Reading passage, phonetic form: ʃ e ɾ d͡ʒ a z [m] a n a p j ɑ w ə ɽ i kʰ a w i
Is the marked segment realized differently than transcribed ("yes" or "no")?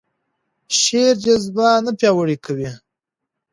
yes